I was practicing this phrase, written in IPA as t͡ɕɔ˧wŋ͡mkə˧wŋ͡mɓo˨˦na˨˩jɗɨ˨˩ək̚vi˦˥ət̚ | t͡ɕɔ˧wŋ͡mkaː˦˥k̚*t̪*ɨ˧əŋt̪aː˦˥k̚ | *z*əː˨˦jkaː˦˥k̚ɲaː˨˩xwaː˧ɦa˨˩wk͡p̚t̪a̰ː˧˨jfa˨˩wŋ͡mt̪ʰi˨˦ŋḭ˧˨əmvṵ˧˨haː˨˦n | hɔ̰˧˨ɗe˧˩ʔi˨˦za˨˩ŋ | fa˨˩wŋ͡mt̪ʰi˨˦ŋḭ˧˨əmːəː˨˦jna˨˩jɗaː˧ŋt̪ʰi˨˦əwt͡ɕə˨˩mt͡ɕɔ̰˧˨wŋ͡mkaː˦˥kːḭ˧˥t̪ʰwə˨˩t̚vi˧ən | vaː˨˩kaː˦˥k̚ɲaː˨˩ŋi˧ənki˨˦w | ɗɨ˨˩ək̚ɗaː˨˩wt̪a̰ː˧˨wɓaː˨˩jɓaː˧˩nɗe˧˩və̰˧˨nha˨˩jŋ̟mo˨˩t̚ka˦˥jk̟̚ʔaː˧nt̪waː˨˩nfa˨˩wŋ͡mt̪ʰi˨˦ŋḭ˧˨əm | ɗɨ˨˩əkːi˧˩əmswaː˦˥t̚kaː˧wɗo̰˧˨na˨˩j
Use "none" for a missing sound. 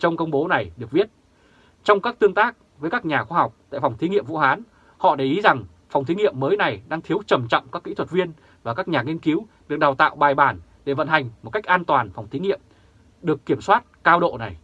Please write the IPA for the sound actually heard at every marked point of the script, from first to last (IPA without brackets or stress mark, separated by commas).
t̪, v